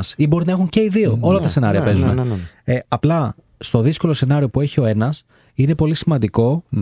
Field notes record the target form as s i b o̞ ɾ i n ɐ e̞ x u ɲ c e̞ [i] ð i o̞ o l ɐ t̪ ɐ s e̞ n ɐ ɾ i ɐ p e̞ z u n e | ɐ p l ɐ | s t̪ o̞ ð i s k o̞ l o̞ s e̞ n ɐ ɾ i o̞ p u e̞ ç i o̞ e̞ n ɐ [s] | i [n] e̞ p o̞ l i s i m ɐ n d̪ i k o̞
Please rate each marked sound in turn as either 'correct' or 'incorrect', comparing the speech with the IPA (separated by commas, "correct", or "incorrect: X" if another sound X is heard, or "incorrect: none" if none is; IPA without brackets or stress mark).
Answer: correct, correct, correct